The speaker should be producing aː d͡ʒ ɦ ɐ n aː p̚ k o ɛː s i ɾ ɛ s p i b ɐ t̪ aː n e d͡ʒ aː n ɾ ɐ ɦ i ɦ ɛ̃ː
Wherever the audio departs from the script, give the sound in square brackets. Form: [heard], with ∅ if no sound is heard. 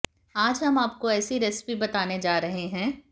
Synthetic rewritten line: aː d͡ʒ ɦ ɐ [m] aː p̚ k o ɛː s i ɾ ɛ s p i b ɐ t̪ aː n e d͡ʒ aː [∅] ɾ ɐ ɦ [e] ɦ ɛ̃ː